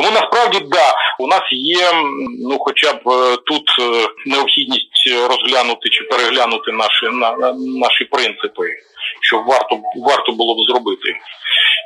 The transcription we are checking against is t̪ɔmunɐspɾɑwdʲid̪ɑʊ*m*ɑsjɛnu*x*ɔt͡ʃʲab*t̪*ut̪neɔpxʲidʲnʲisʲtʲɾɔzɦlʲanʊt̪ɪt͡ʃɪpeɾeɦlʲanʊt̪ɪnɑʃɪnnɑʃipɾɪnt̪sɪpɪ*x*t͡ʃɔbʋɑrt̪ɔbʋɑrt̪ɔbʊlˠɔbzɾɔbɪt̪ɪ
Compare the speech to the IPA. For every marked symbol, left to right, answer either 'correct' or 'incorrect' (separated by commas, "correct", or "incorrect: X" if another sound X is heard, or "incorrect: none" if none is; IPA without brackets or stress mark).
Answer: incorrect: n, correct, correct, incorrect: ʃ